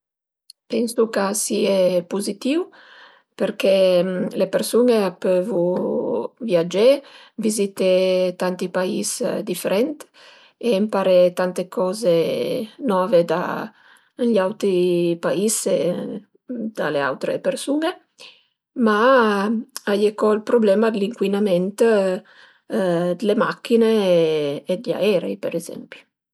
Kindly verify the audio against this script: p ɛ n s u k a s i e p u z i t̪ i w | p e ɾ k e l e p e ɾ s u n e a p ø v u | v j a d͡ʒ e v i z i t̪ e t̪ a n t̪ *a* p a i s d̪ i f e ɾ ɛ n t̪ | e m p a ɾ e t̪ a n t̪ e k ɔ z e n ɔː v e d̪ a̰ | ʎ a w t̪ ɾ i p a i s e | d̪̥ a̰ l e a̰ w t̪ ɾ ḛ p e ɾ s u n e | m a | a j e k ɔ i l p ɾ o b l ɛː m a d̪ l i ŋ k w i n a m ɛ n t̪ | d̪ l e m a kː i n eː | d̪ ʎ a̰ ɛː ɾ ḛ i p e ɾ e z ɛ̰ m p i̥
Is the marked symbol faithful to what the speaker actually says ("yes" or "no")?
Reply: no